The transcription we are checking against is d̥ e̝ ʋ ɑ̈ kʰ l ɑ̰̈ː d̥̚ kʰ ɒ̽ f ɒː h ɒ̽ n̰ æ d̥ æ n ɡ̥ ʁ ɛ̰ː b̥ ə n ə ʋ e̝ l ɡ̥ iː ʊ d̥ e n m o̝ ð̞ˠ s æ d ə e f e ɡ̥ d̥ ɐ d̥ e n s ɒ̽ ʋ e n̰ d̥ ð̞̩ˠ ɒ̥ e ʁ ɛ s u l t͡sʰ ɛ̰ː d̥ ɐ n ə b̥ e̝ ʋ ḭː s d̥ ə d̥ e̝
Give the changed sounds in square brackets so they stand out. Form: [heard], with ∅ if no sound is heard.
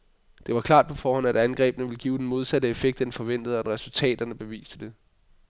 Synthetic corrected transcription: d̥ e̝ ʋ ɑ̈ kʰ l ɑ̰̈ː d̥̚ [pʰ] ɒ̽ f ɒː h ɒ̽ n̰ æ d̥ æ n ɡ̥ ʁ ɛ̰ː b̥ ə n ə ʋ e̝ l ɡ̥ iː ʊ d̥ e n m o̝ ð̞ˠ s æ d ə e f e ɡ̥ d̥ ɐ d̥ e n [f] ɒ̽ ʋ e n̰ d̥ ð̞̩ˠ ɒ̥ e ʁ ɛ s u l t͡sʰ ɛ̰ː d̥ ɐ n ə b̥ e̝ ʋ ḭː s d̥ ə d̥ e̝